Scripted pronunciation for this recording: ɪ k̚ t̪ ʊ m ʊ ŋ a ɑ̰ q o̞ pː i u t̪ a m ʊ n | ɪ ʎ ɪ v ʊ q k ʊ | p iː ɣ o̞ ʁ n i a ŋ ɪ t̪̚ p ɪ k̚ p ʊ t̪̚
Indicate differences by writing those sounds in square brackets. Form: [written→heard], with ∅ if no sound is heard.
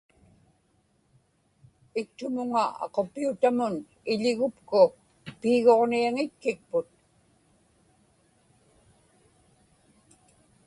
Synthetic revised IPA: ɪ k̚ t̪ ʊ m ʊ ŋ a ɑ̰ q o̞ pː i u t̪ a m ʊ n | ɪ ʎ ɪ [v→ɣ] ʊ [q→p] k ʊ | p iː ɣ o̞ ʁ n i a ŋ ɪ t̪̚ [p→k] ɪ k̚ p ʊ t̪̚